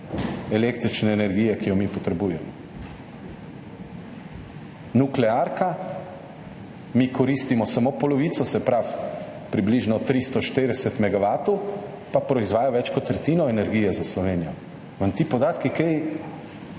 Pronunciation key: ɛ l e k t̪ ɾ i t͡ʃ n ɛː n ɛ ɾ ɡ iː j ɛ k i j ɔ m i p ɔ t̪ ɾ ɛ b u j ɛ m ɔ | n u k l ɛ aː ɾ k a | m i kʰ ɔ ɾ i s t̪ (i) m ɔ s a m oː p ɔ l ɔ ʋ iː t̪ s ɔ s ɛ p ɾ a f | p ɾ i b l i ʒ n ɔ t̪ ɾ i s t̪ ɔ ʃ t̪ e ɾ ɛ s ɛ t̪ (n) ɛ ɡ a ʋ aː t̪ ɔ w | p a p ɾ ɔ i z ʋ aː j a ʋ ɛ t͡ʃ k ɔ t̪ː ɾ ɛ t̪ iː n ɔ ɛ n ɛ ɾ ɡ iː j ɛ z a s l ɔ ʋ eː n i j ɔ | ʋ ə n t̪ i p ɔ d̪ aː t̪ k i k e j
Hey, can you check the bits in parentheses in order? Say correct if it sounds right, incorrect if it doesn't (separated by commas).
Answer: correct, incorrect